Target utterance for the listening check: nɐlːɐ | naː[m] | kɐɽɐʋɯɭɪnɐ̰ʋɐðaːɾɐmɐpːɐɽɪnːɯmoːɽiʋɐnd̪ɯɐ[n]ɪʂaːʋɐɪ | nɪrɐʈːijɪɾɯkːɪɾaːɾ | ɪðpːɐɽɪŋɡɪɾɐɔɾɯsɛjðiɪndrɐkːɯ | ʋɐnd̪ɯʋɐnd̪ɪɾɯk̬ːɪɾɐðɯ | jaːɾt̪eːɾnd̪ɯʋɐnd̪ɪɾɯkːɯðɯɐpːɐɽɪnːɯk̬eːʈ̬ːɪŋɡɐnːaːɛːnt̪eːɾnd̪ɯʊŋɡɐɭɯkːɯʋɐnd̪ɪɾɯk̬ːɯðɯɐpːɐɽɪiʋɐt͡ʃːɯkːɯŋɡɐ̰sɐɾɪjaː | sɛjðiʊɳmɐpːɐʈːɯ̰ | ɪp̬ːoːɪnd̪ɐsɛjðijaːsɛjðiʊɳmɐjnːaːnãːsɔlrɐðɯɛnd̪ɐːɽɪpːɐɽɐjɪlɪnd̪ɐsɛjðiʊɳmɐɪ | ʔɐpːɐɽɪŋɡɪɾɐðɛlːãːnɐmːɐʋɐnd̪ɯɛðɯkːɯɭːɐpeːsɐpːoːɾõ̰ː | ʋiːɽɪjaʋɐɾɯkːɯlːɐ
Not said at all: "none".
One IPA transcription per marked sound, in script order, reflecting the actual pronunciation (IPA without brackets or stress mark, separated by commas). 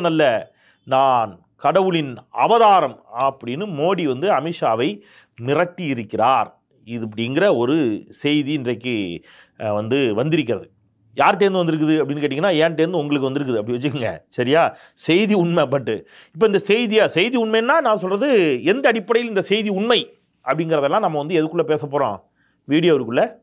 n, m